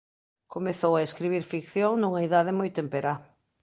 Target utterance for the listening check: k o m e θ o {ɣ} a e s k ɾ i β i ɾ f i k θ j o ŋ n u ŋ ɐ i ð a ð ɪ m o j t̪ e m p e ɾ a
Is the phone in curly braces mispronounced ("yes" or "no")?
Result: yes